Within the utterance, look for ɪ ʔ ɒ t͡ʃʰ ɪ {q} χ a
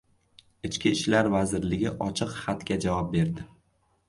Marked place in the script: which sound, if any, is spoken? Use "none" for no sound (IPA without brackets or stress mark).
q